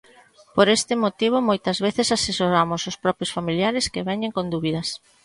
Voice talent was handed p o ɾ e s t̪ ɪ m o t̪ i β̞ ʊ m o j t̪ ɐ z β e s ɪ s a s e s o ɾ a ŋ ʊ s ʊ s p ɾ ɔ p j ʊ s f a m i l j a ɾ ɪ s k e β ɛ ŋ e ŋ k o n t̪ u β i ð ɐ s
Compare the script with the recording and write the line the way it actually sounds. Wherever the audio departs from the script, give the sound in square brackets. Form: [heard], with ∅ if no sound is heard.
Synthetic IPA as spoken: p o ɾ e s t̪ ɪ m o t̪ i β̞ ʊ m o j t̪ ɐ z β e [θ] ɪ s a s e s o ɾ a [m] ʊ s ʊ s p ɾ ɔ p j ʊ s f a m i l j a ɾ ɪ s k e β ɛ [ɲ] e ŋ k o n [d̪] u β i ð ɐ s